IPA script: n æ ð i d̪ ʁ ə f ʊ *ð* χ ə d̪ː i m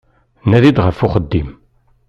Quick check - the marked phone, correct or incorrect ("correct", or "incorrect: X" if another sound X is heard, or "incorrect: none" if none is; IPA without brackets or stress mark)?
incorrect: none